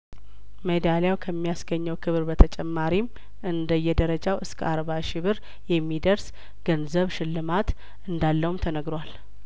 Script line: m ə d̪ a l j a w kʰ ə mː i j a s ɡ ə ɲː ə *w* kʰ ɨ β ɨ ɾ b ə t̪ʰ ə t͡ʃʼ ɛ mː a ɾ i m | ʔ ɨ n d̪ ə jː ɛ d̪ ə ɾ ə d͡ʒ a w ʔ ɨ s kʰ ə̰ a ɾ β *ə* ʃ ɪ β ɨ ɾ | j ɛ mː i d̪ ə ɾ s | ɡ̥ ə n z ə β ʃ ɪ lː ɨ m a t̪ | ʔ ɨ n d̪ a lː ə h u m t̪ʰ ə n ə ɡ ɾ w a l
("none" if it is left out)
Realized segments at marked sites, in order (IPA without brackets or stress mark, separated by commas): w, a